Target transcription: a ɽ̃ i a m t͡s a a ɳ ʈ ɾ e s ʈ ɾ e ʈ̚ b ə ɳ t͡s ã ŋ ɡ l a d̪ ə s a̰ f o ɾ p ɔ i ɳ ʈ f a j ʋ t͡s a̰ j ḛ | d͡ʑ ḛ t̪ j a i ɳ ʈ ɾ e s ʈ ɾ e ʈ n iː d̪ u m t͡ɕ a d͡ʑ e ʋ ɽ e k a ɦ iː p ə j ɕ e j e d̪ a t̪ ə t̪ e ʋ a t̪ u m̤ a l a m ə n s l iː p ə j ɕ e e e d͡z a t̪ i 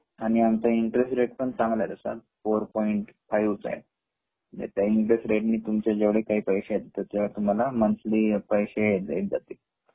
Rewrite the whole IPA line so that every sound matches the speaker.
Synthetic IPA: a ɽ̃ i a m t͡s a i ɳ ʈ ɾ e s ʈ ɾ e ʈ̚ p ə ɳ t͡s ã ŋ ɡ l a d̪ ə s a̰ f o ɾ p ɔ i ɳ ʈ f a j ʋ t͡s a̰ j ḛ | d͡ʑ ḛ t̪ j a i ɳ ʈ ɾ e s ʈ ɾ e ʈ n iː t̪ u m t͡ɕ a d͡ʑ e ʋ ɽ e k a ɦ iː p ə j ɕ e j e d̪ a t̪ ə t̪ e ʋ a t̪ u m̤ a l a m ə n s l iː p ə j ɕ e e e d͡z a t̪ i

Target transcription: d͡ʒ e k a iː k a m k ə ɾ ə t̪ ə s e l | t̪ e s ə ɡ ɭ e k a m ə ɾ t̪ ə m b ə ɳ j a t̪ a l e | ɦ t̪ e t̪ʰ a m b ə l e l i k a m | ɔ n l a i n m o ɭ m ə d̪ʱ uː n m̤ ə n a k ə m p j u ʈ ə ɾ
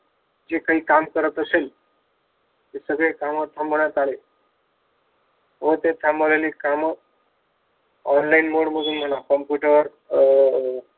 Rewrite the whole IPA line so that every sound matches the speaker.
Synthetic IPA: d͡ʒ e k a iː k a m k ə ɾ ə t̪ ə s e l | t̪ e s ə ɡ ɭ e k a m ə ɾ t̪ʰ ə m b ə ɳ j a t̪ a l e | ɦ t̪ e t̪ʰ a m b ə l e l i k a m | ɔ n l a i n m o ɽ m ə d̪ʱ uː n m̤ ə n a k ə m p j u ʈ ə ɾ

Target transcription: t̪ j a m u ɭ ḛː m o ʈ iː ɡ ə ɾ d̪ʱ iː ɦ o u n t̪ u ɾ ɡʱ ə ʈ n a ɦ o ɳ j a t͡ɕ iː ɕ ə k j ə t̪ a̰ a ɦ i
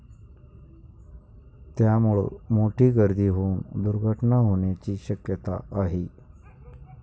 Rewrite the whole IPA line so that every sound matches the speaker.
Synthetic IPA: t̪ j a m u ɭ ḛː m o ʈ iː ɡ ə ɾ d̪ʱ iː ɦ o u n d̪ u ɾ ɡʱ ə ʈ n a ɦ o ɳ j a t͡ɕ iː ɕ ə k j ə t̪ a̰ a ɦ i

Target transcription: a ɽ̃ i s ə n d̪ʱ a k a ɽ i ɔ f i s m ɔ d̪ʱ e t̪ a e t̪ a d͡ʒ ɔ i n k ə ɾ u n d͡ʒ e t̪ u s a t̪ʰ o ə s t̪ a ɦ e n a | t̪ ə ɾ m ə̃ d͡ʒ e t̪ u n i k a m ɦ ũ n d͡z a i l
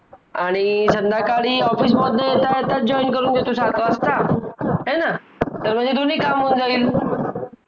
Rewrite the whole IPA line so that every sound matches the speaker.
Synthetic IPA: a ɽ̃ i s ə n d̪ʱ a k a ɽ i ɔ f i s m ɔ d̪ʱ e t̪ a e t̪ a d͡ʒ ɔ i n k ə ɾ u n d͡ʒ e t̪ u s a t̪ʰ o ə s t̪ a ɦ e n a | t̪ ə ɾ m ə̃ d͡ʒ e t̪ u n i k a m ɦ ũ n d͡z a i l

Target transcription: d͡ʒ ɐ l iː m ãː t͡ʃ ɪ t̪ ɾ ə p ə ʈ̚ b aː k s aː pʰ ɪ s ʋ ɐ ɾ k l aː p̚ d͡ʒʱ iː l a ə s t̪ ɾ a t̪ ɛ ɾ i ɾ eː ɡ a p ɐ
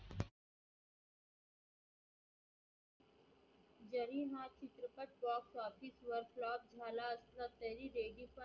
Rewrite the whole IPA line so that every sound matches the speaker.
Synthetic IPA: d͡ʒ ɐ ɾ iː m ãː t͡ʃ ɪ t̪ ɾ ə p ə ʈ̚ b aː k s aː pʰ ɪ s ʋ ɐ ɾ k l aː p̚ d͡ʒʱ aː l a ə s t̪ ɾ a t̪ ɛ ɾ i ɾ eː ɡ i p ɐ

